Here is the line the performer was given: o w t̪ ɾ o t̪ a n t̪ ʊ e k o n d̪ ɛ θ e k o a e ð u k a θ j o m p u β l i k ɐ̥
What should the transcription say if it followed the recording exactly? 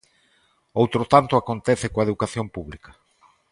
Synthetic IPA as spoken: o w t̪ ɾ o t̪ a n t̪ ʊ a k o n t̪ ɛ θ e k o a e ð u k a θ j o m p u β l i k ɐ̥